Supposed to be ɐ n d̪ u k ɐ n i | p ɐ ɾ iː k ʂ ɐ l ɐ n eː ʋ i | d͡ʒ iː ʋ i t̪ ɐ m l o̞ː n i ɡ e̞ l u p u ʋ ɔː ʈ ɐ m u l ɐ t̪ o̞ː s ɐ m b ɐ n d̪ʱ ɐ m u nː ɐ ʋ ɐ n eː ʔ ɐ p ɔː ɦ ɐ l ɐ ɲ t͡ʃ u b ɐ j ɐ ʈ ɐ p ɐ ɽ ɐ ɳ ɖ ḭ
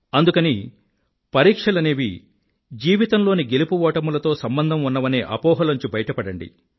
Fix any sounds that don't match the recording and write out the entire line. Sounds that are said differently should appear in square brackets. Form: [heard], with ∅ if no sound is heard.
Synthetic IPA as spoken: ɐ n d̪ u k ɐ n i | p ɐ ɾ iː k ʂ ɐ l ɐ n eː ʋ i | d͡ʒ iː ʋ i t̪ ɐ m l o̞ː n i ɡ e̞ l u p u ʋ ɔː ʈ ɐ m u l ɐ t̪ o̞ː s ɐ m b ɐ n d̪ʱ ɐ m u nː ɐ ʋ ɐ n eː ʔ ɐ p ɔː ɦ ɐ l ɐ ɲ t͡ʃ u b ɐ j ɐ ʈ ɐ p ɐ ɽ ɐ ɳ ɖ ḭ